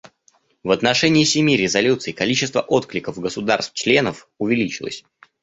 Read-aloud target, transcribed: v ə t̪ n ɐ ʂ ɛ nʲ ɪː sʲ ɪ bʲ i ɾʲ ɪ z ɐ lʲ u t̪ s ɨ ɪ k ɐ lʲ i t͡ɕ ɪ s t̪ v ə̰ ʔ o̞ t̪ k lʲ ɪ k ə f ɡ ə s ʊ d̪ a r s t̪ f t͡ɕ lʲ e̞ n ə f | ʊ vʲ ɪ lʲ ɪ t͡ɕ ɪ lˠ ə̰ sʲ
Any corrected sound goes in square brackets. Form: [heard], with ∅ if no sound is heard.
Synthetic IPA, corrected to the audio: v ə t̪ n ɐ ʂ ɛ nʲ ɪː sʲ ɪ [mʲ] i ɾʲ ɪ z ɐ lʲ u t̪ s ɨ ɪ k ɐ lʲ i t͡ɕ ɪ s t̪ v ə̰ ʔ o̞ t̪ k lʲ ɪ k ə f ɡ ə s ʊ d̪ a r s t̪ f t͡ɕ lʲ e̞ n ə f | ʊ vʲ ɪ lʲ [i] t͡ɕ ɪ lˠ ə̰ sʲ